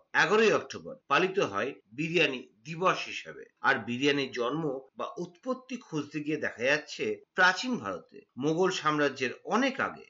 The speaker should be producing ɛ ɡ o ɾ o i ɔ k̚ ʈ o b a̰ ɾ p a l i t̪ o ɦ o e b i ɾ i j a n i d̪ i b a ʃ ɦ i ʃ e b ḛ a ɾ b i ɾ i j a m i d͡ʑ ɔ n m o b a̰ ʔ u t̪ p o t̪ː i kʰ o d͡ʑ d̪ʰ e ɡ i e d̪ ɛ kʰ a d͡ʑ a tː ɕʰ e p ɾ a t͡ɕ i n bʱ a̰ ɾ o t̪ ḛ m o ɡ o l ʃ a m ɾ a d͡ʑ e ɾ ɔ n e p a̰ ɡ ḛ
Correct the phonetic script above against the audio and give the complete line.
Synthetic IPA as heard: ɛ ɡ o ɾ o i ɔ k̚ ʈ o b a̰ ɾ p a l i t̪ o ɦ ɔ e b i ɾ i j a n i d̪ i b a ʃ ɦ i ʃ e b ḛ a ɾ b i ɾ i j a n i d͡ʑ ɔ n m o b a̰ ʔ u t̪ p o t̪ː i kʰ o d͡ʑ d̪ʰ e ɡ i e d̪ ɛ kʰ a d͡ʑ a tː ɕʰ e p ɾ a t͡ɕ i n bʱ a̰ ɾ o t̪ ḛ m o ɡ o l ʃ a m ɾ a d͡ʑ e ɾ ɔ n e k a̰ ɡ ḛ